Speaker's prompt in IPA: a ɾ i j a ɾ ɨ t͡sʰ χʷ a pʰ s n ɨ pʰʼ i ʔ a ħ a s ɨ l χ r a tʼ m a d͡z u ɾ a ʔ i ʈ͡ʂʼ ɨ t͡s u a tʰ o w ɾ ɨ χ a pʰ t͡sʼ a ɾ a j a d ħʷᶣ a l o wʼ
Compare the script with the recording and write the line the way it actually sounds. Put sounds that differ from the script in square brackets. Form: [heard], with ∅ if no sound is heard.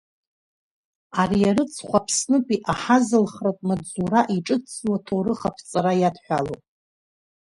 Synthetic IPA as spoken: a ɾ i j a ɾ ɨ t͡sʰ χʷ a pʰ s n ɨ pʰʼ i ʔ a ħ a [z] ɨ l χ r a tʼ m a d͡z u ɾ a ʔ i ʈ͡ʂʼ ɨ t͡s [w] a tʰ o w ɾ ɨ χ a pʰ t͡sʼ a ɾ a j a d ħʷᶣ a l o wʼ